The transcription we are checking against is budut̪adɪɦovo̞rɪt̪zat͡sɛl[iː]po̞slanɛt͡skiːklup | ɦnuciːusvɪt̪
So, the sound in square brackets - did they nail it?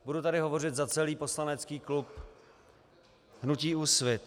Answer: yes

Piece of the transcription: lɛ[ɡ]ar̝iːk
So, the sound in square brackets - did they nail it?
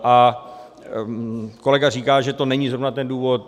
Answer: yes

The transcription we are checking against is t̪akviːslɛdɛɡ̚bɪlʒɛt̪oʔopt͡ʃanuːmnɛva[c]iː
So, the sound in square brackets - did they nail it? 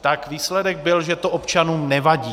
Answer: no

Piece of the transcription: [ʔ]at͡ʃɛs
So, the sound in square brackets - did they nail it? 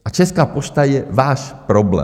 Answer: yes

